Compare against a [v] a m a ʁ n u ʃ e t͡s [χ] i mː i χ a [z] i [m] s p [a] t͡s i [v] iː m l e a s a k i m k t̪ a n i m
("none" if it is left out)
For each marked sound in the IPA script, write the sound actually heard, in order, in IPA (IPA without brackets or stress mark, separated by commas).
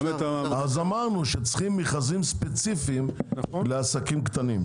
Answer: z, χ, z, m, e, f